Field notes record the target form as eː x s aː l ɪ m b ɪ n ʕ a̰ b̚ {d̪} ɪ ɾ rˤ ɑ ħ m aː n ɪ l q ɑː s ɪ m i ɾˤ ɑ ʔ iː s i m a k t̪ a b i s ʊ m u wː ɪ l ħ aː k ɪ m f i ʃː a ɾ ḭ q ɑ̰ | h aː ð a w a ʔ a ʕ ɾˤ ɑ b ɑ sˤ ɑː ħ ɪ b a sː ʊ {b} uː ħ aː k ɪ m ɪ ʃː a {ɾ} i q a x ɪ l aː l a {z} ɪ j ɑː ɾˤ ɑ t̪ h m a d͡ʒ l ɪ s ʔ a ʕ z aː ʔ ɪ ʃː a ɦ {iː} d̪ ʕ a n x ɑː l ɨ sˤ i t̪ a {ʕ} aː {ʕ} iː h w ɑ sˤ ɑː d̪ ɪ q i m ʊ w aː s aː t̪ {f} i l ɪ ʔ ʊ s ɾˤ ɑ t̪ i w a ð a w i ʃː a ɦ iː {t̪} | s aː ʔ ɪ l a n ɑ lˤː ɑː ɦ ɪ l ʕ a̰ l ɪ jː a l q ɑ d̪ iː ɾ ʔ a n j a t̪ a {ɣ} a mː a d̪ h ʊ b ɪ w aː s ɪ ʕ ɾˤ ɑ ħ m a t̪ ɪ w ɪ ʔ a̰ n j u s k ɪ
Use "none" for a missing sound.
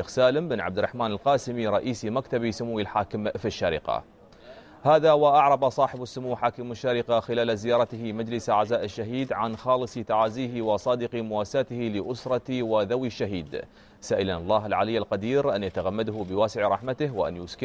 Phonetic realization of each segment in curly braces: d̪, m, ɾ, z, iː, ʕ, z, h, d̪, ɣ

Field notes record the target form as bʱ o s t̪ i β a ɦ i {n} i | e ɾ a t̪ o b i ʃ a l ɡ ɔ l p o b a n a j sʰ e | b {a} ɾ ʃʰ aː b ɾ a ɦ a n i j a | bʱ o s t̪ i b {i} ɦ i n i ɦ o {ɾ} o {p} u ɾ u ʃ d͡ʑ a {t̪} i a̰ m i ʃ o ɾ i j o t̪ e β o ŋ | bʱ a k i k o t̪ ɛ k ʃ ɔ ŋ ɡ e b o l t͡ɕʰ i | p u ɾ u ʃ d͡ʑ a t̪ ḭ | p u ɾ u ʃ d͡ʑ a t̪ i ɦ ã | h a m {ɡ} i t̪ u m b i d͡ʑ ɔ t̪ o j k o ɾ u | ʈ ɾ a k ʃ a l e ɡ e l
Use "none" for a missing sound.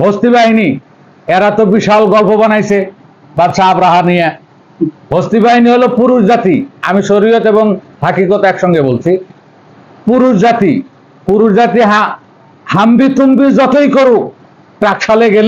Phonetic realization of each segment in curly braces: n, a, a, l, p, t̪, b

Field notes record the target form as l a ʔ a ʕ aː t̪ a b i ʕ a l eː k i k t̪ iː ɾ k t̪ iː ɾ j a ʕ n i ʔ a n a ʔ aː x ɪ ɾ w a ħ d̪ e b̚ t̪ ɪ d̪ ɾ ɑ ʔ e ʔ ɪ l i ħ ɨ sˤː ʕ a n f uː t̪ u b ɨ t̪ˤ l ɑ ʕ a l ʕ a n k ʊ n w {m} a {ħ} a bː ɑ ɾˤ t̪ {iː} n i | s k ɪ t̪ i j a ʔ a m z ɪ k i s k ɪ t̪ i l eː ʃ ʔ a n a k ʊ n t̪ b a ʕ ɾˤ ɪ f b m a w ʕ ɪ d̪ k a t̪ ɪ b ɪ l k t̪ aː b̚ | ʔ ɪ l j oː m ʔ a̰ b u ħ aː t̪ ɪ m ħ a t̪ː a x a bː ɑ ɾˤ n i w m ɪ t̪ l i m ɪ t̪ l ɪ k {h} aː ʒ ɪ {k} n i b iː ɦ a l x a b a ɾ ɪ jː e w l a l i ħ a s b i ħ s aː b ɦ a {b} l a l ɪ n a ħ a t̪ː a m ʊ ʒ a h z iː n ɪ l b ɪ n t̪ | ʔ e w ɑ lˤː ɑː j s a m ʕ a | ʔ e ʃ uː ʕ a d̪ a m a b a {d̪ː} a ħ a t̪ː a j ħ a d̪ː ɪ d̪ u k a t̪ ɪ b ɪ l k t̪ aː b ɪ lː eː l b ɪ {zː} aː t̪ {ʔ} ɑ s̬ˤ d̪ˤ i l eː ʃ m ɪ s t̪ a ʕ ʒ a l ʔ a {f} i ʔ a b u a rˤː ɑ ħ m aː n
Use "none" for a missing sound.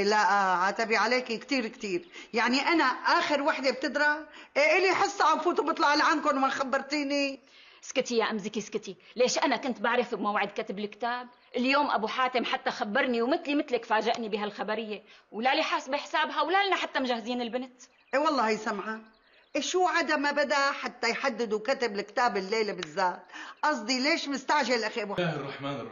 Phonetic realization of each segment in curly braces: m, x, iː, f, ʔ, w, d̪, zː, ʔ, x

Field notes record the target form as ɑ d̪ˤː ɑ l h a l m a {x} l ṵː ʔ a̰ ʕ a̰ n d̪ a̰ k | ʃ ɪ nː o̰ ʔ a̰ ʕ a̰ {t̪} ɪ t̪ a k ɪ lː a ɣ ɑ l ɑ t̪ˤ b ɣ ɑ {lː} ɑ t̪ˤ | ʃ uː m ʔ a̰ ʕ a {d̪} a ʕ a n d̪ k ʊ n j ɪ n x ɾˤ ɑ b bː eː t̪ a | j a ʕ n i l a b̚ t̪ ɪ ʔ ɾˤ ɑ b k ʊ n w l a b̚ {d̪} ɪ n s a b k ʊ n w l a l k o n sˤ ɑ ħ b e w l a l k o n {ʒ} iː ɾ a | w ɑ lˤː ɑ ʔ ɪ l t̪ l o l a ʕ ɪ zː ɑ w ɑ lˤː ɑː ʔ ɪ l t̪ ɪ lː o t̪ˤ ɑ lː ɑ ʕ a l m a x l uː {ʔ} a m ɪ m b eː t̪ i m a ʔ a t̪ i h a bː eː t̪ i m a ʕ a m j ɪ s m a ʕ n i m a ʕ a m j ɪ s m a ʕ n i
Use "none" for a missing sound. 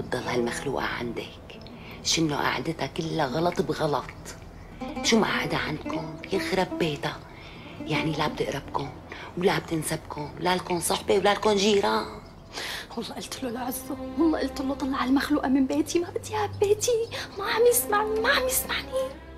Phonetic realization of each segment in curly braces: x, d̪, l, d̪, t̪, ʒ, ʔ

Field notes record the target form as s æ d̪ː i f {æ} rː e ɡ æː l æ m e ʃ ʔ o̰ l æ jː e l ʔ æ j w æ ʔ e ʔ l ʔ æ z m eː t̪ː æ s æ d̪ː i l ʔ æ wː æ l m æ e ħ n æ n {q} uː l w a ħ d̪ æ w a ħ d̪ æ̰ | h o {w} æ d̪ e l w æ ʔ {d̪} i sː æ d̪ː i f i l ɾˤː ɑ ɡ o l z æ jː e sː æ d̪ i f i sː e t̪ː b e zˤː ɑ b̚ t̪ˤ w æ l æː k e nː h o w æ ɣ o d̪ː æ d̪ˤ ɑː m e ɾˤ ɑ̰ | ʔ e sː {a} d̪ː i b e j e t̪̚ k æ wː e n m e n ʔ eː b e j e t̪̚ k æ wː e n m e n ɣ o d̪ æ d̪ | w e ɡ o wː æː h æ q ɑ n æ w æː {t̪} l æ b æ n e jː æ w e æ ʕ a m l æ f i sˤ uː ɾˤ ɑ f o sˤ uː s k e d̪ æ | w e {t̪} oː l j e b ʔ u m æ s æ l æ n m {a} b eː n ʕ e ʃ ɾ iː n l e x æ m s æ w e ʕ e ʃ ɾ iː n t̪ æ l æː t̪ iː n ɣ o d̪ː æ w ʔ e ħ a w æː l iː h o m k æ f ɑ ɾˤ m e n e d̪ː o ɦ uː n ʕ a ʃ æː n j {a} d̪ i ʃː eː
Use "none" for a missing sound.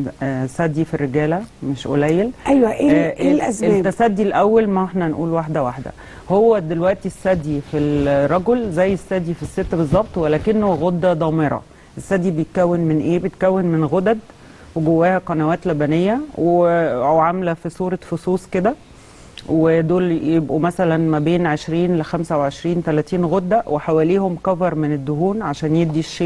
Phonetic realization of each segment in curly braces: i, ʔ, wː, t̪, æ, t̪, d̪, æ, e

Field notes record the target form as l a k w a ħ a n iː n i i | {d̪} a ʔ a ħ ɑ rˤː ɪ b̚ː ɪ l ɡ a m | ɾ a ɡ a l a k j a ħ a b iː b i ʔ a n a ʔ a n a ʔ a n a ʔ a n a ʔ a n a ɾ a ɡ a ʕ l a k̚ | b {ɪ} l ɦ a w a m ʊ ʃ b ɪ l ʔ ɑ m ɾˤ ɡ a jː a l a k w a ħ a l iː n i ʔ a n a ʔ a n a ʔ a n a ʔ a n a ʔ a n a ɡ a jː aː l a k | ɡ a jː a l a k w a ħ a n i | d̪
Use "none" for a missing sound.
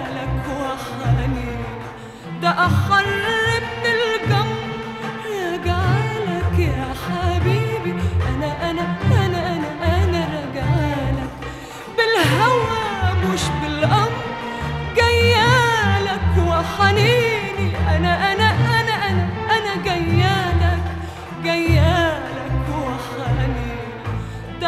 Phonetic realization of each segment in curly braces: d̪, ɪ

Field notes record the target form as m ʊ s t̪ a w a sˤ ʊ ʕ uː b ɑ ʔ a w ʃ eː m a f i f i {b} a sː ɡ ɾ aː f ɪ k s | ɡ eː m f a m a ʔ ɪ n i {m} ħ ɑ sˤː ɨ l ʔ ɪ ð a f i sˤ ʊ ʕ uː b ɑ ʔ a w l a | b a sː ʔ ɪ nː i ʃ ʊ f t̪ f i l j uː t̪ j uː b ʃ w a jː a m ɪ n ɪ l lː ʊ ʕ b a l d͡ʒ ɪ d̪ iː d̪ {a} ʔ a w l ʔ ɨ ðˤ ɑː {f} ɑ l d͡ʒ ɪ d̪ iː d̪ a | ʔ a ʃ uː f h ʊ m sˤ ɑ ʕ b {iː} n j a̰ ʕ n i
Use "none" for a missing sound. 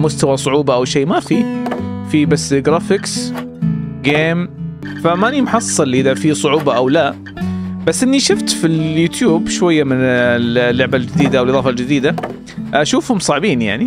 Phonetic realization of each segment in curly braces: b, m, a, f, iː

